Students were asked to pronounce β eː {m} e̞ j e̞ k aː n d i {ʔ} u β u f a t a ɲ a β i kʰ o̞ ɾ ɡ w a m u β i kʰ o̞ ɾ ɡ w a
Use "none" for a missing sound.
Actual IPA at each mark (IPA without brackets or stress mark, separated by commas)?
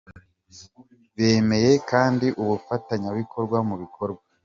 m, ʔ